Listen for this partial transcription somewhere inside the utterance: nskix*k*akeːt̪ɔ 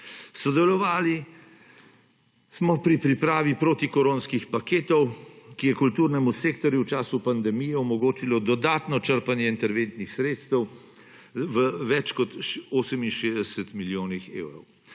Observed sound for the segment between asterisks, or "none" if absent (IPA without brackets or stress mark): p